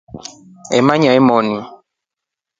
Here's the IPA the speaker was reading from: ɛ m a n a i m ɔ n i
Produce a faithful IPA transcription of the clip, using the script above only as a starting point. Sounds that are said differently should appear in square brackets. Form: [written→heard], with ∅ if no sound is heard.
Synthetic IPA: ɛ m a [n→ɲ] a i m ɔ n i